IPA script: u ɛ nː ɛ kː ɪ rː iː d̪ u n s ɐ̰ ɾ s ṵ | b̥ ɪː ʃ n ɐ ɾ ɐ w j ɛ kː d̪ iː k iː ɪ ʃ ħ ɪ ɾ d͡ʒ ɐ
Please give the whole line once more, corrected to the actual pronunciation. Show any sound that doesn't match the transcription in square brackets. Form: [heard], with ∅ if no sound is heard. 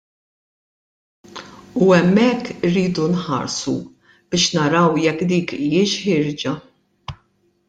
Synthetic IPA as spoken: u ɛ [mː] ɛ kː ɪ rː iː d̪ u n [ħ] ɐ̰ ɾ s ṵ | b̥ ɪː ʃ n ɐ ɾ ɐ w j ɛ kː d̪ iː k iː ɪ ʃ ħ ɪ ɾ d͡ʒ ɐ